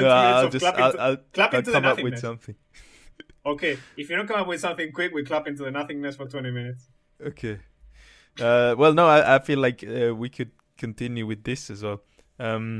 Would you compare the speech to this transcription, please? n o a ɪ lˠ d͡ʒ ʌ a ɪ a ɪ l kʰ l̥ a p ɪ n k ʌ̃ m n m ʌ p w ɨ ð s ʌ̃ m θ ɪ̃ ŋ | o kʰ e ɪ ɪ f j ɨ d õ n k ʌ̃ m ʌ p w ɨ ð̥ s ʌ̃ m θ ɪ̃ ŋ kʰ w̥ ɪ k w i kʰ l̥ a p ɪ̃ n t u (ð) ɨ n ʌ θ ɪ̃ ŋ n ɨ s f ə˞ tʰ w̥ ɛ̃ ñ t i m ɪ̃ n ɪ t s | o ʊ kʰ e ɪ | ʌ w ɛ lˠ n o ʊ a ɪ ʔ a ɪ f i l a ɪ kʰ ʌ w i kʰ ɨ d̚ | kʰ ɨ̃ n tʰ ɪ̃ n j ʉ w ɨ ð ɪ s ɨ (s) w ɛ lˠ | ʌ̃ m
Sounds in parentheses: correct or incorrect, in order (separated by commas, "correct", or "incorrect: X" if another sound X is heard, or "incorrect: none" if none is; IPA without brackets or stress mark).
correct, incorrect: z